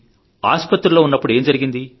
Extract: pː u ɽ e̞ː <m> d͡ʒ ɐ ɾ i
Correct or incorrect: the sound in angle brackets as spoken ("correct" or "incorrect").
correct